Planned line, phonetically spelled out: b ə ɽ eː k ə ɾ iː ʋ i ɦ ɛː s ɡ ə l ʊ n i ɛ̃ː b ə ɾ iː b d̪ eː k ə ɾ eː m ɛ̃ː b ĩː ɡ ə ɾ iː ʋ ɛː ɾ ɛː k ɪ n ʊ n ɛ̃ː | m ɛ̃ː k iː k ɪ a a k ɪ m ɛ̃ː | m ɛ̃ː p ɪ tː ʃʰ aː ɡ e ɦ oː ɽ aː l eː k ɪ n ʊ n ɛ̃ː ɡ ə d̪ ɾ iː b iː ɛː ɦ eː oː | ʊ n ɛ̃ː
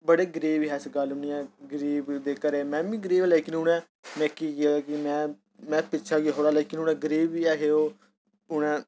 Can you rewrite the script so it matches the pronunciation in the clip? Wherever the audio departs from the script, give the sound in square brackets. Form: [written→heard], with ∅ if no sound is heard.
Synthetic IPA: b ə ɽ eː [k→ɡ] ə ɾ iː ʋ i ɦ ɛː s ɡ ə l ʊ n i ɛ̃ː [b→ɡ] ə ɾ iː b d̪ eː k ə ɾ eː m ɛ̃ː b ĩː ɡ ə ɾ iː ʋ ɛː [ɾ→l] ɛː k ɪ n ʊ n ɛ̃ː | m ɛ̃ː k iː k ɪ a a k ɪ m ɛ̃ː | m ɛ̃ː p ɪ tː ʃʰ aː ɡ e ɦ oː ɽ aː l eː k ɪ n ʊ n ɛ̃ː ɡ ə [d̪→∅] ɾ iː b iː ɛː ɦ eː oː | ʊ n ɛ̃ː